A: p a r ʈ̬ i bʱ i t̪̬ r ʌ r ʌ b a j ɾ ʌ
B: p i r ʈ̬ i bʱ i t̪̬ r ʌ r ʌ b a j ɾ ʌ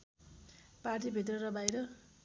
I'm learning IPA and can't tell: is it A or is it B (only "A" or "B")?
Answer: A